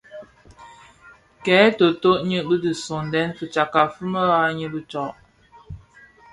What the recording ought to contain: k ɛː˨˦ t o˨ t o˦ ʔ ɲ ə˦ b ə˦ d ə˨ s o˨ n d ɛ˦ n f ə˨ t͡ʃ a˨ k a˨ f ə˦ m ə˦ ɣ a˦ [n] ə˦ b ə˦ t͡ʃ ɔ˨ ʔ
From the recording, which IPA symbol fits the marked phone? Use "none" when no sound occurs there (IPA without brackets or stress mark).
ɲ